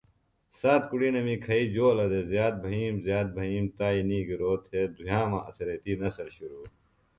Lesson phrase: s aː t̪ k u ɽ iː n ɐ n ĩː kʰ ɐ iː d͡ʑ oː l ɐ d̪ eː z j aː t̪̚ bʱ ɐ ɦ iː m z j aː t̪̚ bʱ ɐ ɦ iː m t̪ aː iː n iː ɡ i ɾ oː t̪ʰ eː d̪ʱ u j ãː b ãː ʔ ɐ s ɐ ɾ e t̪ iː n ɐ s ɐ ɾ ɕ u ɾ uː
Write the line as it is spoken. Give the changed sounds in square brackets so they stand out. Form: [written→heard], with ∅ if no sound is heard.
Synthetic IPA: s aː t̪ k u ɽ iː n ɐ [n→m] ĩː kʰ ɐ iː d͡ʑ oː l ɐ d̪ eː z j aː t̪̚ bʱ ɐ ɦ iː m z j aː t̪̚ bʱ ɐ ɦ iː m t̪ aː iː n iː ɡ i ɾ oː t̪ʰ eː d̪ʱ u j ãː [b→m] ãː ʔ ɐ s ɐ ɾ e t̪ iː n ɐ s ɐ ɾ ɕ u ɾ uː